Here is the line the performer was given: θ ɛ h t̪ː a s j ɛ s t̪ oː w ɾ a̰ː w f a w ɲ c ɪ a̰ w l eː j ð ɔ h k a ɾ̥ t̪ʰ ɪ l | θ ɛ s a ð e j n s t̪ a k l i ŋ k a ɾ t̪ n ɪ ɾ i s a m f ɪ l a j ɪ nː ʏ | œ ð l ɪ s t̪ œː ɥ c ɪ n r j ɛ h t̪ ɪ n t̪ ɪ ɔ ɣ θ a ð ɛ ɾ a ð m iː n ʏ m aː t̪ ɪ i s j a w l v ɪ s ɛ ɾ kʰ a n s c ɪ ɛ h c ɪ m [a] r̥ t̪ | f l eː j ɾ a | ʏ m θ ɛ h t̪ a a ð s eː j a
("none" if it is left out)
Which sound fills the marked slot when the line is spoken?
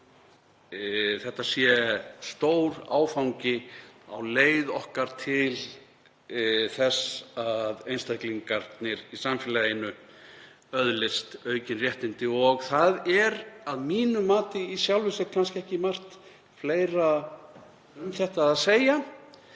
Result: a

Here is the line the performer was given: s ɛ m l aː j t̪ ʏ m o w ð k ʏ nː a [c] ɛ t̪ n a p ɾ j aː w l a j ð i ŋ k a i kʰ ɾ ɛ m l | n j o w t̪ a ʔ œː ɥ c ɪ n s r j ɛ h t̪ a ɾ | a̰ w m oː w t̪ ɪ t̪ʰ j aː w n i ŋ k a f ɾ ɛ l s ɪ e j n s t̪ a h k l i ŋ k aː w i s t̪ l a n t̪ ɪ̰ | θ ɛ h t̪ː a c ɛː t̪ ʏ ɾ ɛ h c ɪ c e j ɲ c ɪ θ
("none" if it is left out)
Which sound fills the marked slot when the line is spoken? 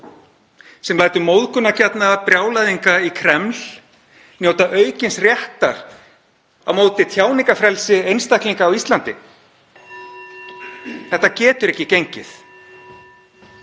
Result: c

